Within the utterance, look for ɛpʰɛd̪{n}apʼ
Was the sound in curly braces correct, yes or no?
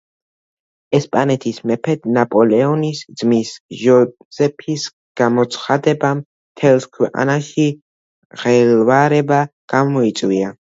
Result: yes